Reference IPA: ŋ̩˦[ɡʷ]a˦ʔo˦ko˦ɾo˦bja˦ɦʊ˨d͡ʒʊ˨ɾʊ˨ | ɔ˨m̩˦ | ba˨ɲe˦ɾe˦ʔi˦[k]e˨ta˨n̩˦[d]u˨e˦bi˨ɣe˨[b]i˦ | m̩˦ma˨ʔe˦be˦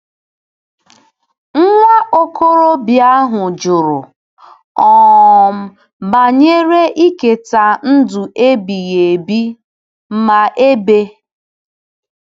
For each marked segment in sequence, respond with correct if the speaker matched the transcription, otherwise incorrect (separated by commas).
incorrect, correct, correct, correct